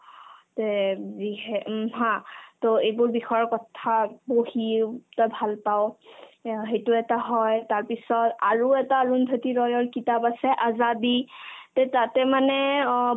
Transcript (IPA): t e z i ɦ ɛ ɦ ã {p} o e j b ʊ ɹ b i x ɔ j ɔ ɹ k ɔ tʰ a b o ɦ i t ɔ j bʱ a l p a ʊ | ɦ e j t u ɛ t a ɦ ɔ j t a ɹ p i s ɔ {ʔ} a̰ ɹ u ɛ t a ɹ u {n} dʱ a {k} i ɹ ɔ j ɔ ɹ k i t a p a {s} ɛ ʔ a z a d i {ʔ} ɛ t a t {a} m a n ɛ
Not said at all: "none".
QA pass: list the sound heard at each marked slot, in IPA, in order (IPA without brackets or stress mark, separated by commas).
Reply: t, t, n, t, s, t, ɛ